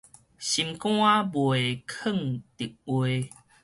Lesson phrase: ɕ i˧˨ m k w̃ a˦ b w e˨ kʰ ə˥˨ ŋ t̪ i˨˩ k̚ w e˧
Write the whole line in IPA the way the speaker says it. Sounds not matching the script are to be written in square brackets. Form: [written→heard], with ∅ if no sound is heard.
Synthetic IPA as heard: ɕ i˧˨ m k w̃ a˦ b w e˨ kʰ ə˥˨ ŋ t̪ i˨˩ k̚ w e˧